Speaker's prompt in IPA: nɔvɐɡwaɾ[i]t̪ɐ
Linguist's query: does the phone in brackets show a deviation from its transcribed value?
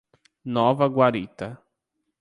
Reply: no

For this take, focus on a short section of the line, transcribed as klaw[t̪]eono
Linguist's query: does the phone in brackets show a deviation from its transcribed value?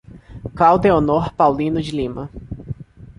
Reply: yes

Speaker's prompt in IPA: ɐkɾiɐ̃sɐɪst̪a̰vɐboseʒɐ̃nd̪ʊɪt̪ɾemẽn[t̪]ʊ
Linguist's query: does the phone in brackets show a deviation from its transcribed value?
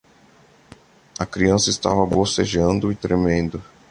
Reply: yes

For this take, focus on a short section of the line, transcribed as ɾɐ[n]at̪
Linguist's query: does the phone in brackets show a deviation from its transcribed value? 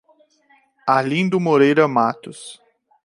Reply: yes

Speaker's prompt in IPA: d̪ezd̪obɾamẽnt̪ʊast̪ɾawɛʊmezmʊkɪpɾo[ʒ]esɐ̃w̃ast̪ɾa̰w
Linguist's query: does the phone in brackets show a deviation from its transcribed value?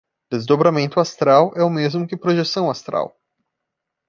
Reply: no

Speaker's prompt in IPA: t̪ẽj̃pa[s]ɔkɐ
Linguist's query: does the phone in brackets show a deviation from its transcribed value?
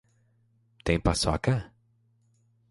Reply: no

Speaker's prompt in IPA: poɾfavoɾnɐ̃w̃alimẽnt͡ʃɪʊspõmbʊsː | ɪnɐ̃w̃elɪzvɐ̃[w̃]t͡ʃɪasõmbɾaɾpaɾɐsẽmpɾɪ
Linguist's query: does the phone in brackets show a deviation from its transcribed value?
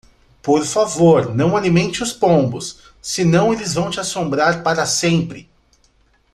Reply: no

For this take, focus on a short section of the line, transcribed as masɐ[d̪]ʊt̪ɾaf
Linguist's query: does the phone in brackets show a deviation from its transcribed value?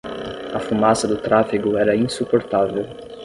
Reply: no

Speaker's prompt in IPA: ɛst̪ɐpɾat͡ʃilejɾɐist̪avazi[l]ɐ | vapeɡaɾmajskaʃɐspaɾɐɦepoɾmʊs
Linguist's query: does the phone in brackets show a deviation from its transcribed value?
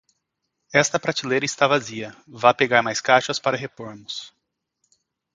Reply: yes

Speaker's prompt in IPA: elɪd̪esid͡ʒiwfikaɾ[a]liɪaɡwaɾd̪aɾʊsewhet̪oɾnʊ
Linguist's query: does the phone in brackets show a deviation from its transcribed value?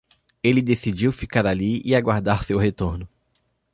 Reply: no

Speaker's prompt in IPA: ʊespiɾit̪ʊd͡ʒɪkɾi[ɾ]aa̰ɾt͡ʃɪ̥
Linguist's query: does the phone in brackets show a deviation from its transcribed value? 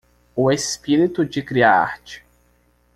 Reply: yes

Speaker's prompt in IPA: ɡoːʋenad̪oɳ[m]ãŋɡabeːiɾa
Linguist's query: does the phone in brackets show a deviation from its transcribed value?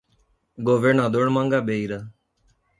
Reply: no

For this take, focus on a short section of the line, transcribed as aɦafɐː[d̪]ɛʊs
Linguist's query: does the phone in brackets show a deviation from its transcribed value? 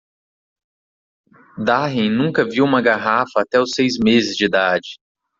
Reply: yes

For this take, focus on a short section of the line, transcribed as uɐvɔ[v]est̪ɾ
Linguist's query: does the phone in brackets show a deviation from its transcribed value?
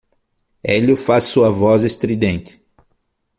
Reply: yes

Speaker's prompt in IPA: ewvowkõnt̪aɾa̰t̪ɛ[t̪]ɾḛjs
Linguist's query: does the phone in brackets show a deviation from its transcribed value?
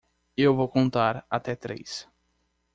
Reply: no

